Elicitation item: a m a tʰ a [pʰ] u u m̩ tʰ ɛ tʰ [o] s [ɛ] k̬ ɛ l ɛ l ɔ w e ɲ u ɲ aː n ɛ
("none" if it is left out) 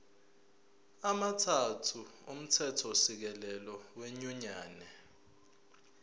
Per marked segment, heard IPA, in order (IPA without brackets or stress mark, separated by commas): tʰ, ɔ, i